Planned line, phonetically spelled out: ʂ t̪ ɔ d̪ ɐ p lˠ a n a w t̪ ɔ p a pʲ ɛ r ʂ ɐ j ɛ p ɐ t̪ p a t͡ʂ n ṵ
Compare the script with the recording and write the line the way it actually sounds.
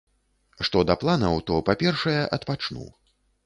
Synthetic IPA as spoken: ʂ t̪ ɔ d̪ ɐ p lˠ a n ɐ w t̪ ɔ p a pʲ ɛ r ʂ ɐ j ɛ ʔ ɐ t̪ p a t͡ʂ n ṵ